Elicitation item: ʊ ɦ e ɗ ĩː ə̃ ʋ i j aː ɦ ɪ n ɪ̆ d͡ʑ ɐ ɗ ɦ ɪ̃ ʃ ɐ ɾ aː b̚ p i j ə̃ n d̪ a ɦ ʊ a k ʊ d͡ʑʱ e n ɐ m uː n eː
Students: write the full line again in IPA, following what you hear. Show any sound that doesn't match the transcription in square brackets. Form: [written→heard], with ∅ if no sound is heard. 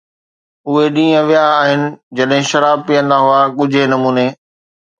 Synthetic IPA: ʊ ɦ e ɗ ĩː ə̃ ʋ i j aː ɦ ɪ n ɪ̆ d͡ʑ ɐ ɗ ɦ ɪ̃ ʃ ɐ ɾ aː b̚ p i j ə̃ n d̪ a ɦ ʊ a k ʊ d͡ʑʱ e n ɐ m uː n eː